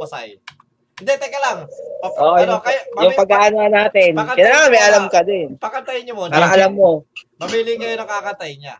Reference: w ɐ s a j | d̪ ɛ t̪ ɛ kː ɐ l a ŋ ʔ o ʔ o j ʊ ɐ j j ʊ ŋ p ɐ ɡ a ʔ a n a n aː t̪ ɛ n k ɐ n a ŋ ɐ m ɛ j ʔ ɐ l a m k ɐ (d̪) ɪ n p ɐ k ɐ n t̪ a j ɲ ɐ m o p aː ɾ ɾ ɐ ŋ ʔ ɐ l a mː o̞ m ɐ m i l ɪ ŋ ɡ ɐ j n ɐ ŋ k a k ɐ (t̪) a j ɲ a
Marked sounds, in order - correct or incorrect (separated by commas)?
correct, correct